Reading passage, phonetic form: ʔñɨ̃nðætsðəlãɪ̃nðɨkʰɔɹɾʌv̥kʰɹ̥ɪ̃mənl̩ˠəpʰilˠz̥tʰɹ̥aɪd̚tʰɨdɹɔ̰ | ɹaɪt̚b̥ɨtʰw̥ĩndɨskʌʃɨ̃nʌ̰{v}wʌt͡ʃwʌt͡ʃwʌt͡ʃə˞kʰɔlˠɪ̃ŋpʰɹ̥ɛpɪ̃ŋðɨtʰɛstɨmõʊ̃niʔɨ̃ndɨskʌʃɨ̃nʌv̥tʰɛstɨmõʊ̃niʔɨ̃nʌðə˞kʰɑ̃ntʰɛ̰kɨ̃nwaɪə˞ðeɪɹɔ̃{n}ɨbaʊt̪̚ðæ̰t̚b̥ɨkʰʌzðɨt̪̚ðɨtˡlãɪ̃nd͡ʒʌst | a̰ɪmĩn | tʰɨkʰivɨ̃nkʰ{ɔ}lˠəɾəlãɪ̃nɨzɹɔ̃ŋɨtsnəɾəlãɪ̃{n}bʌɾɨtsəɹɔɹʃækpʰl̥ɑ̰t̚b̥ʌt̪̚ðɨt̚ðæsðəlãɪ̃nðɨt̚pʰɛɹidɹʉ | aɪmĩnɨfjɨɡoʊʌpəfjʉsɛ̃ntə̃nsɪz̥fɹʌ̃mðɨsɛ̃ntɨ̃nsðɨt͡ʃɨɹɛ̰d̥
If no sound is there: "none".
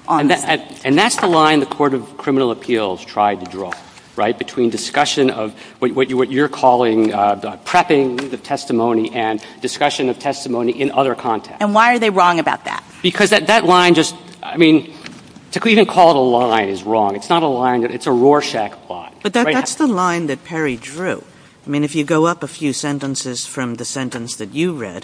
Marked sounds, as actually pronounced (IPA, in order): v, ŋ, ɔ, n

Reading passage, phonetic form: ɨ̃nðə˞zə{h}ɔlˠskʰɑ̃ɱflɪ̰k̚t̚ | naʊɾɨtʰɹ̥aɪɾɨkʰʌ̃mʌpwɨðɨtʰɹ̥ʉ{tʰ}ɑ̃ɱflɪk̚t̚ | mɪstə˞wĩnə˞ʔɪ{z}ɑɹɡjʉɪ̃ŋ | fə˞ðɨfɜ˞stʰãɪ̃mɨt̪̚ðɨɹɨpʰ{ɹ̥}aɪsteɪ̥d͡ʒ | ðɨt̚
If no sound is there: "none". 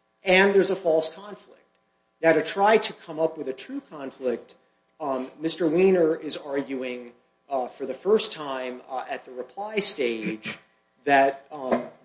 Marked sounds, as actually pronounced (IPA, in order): f, kʰ, z, l̥

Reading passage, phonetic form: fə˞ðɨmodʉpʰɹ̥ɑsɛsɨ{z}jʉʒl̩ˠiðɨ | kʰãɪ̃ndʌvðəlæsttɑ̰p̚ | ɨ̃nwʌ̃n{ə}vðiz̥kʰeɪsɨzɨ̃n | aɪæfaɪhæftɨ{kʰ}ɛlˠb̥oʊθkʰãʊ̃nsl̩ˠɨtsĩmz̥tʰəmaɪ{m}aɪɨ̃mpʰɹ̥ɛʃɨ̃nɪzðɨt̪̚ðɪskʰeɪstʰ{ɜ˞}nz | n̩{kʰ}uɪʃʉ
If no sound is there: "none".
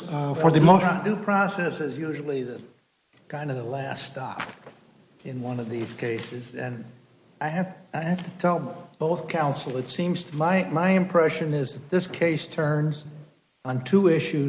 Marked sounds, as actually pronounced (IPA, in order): z, ʌ, tʰ, m, ɜ̃˞, tʰ

